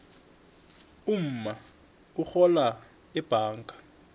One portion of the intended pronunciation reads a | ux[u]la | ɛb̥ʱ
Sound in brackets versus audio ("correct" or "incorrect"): incorrect